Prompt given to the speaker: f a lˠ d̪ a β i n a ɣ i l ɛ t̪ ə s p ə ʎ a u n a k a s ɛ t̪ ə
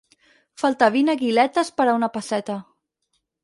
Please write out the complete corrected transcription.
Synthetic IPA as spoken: f a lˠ t̪ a β i n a ɣ i l ɛ t̪ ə s p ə ɾ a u n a p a s ɛ t̪ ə